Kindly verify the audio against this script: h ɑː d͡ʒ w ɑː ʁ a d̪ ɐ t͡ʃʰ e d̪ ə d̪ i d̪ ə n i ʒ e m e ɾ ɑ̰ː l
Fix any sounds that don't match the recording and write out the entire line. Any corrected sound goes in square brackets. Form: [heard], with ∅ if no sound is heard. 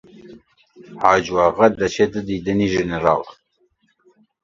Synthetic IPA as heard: h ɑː d͡ʒ w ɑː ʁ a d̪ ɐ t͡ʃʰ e d̪ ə d̪ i d̪ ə n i ʒ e [n] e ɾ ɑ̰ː l